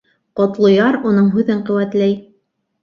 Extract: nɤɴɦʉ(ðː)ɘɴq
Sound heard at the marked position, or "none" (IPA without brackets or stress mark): ð